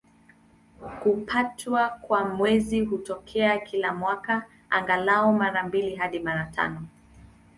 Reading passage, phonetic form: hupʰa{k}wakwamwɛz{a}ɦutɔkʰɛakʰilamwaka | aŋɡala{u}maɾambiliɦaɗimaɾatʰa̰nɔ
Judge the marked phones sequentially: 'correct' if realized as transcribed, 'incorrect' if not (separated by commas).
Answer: incorrect, incorrect, incorrect